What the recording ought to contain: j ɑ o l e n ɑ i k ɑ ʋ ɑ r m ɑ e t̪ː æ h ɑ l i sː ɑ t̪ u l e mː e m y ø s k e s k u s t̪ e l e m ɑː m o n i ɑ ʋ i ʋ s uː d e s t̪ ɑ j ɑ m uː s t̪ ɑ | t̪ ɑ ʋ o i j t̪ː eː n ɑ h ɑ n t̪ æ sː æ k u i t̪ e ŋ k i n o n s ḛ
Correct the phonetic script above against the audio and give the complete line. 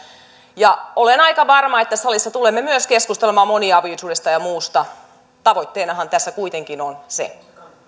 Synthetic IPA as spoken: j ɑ o l e n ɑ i k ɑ ʋ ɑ r m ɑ e t̪ː æ s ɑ l i sː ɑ t̪ u l e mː e m y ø s k e s k u s t̪ e l e m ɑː m o n i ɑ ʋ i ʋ s uː d e s t̪ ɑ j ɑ m uː s t̪ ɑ | t̪ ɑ ʋ o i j t̪ː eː n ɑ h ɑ n t̪ æ sː æ k u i t̪ e ŋ k i n o n s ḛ